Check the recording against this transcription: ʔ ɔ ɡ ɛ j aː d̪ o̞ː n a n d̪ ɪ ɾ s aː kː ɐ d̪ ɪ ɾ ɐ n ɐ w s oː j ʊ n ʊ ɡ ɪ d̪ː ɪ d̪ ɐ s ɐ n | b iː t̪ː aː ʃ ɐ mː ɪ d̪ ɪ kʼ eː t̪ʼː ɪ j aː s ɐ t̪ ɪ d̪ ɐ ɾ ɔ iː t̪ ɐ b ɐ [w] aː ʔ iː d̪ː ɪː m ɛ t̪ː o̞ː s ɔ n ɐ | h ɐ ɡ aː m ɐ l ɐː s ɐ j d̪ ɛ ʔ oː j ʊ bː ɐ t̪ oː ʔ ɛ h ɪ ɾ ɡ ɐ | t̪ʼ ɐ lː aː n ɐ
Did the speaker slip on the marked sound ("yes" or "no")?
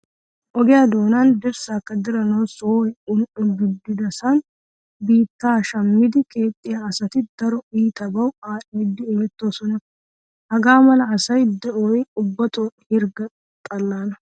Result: no